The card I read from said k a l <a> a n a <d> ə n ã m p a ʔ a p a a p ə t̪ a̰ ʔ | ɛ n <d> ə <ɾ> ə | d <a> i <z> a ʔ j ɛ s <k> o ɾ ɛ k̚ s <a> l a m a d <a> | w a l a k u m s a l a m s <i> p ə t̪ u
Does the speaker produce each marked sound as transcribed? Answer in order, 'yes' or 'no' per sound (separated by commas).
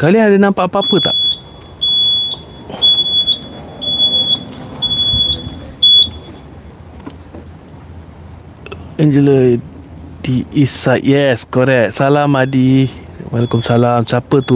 no, yes, no, no, no, no, yes, yes, no, no